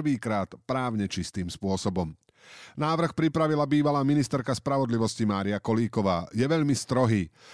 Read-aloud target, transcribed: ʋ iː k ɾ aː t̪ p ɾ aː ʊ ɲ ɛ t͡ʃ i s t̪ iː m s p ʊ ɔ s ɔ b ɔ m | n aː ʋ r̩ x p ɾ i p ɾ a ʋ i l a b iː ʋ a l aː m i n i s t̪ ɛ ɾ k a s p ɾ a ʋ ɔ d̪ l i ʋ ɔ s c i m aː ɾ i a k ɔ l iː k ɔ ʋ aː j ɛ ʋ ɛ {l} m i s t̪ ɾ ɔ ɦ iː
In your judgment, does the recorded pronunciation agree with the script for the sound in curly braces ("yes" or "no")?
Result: no